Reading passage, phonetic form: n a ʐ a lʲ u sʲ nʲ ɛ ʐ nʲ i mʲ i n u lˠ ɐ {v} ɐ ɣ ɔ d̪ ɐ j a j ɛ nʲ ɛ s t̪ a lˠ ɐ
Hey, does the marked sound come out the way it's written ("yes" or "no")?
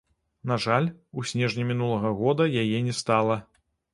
no